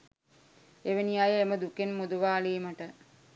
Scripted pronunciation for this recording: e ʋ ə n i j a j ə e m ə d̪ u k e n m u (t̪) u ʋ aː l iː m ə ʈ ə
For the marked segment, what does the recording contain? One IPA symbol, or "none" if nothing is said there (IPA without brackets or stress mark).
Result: d̪